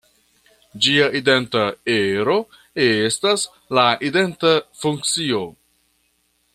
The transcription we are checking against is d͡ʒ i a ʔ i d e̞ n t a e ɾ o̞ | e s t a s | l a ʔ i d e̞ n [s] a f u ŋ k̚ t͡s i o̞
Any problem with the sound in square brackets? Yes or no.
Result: yes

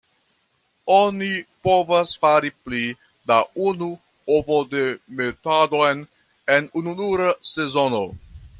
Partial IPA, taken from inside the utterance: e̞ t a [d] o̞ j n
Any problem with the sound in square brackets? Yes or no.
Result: no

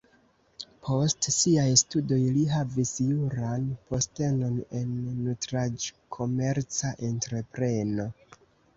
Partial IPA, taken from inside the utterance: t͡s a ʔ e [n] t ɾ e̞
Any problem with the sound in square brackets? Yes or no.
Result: no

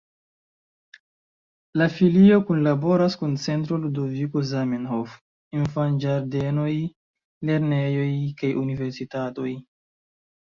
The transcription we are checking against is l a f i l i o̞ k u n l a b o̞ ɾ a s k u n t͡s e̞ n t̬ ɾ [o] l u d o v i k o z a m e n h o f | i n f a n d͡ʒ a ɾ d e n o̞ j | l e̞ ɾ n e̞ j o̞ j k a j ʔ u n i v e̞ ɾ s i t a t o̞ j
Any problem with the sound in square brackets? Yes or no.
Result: no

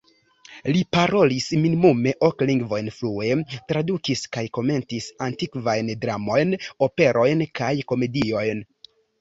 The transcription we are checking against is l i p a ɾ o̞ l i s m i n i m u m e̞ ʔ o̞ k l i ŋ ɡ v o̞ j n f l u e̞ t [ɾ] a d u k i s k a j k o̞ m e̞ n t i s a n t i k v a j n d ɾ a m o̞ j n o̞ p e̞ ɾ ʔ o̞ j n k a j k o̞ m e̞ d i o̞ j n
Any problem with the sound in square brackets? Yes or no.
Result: no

